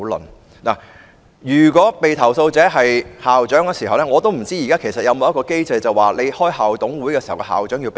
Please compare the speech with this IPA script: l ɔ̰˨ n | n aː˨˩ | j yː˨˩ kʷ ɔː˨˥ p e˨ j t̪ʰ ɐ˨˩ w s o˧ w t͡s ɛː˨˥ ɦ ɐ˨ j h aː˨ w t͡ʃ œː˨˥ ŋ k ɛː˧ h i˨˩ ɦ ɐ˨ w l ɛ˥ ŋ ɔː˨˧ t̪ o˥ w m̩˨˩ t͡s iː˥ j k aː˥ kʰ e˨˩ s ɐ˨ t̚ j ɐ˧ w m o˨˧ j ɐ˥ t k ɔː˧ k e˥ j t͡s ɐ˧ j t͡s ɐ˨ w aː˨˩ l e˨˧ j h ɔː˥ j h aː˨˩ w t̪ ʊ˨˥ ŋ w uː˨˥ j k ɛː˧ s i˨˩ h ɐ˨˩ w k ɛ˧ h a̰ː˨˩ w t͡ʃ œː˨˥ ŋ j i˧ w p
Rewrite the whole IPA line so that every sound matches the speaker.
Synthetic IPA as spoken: l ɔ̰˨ n | n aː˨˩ | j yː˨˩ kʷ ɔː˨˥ p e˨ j t̪ʰ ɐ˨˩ w s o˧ w t͡s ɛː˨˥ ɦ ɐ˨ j h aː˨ w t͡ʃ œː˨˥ ŋ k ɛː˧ s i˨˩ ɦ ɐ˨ w l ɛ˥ ŋ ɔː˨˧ t̪ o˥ w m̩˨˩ t͡s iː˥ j k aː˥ kʰ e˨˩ s ɐ˨ t̚ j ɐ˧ w m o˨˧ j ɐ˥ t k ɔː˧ k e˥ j t͡s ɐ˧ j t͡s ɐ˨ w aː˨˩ l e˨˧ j h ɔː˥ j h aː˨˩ w t̪ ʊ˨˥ ŋ w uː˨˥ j k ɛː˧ s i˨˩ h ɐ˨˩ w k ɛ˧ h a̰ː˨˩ w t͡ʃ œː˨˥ ŋ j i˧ w p